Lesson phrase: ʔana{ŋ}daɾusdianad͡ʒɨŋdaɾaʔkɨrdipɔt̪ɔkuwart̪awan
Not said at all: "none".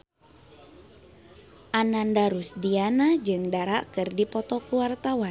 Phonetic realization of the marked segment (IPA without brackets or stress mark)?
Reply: n